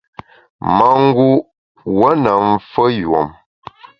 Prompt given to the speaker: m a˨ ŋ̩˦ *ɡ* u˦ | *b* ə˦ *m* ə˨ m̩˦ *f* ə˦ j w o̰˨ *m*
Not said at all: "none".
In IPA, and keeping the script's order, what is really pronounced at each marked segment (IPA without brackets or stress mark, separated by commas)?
ɡ, w, n, f, m